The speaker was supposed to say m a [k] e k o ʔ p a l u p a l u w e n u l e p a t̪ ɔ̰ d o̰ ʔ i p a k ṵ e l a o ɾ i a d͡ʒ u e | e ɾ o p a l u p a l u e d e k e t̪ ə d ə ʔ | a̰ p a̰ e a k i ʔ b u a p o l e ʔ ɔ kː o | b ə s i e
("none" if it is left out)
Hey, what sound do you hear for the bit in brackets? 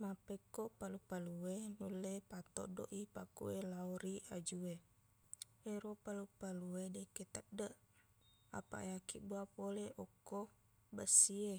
p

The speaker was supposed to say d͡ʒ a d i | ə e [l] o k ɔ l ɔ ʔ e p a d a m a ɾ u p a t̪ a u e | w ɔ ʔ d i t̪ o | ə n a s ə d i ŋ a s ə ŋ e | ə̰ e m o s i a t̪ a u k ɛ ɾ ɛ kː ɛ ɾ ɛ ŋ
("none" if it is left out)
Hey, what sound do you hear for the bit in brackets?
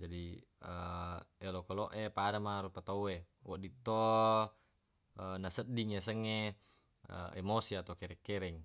l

